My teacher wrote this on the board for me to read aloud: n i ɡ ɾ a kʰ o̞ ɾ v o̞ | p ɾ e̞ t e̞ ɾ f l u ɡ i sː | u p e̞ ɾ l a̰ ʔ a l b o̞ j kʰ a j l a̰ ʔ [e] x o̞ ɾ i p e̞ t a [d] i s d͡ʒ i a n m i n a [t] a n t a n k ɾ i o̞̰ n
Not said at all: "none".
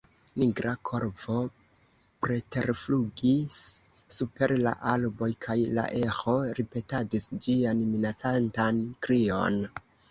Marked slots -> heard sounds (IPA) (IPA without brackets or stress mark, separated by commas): e, d, t͡s